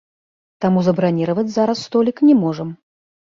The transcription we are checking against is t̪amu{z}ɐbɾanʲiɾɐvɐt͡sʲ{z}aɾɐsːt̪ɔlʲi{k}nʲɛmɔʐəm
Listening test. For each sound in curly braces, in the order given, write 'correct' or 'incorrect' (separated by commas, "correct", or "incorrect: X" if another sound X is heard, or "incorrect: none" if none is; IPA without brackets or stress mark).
correct, correct, correct